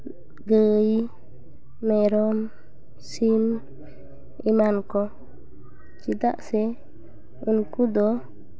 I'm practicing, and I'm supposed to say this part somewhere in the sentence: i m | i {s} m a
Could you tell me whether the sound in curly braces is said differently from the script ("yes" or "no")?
yes